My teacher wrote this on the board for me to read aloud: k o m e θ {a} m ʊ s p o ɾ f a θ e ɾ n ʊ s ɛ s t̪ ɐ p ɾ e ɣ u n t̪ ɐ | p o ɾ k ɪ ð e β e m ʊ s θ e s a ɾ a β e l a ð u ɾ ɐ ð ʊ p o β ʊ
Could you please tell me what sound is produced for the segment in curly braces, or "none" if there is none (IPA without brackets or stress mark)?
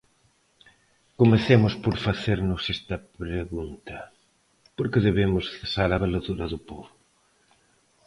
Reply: e